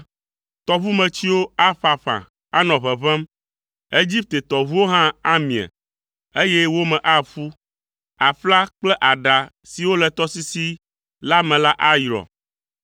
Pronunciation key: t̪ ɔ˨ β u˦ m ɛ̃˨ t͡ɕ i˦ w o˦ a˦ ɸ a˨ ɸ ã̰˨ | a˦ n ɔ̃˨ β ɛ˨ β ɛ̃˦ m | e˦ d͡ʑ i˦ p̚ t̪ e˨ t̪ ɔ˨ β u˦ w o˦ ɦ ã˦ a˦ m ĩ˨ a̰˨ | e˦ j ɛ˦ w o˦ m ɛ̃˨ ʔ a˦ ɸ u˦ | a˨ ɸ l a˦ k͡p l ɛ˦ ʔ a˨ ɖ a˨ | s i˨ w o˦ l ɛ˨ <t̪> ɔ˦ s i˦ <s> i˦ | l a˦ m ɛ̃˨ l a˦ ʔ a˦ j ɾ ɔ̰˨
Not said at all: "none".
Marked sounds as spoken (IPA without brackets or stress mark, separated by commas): t̪, s